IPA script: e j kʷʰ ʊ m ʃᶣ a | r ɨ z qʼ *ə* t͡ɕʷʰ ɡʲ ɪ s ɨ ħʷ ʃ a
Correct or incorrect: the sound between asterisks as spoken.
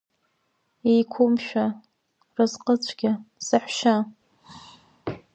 correct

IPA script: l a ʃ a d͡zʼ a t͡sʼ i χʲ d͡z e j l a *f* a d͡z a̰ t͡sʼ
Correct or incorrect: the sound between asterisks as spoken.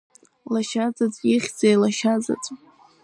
incorrect: ʃ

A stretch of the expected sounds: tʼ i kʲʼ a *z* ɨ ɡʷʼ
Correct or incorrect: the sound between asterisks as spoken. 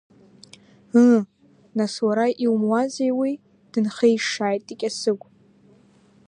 incorrect: s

